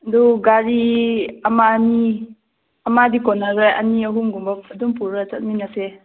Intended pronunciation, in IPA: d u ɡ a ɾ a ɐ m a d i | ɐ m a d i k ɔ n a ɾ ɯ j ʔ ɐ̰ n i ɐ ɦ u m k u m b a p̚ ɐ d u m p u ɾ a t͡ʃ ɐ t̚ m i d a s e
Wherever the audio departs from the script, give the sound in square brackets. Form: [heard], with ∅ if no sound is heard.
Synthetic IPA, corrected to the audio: d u ɡ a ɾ [i] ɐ m a [n] i | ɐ m a d i k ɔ n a ɾ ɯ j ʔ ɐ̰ n i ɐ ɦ u m [ɡ] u m b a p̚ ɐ d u m p u ɾ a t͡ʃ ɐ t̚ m i [n] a s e